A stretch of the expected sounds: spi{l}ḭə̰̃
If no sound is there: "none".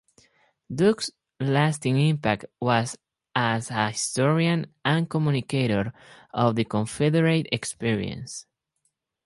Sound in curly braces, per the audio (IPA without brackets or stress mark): ɹ